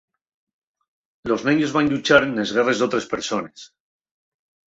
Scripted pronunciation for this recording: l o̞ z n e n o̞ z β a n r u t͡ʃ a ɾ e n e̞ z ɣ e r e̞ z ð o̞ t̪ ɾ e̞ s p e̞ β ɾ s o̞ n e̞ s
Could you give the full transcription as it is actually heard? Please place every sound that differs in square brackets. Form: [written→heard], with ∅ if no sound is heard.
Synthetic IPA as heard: l o̞ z n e [n→ɲ] o̞ z β a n [r→ʎ] u t͡ʃ a ɾ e n e̞ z ɣ e r e̞ z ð o̞ t̪ ɾ e̞ s p e̞ [β→∅] ɾ s o̞ n e̞ s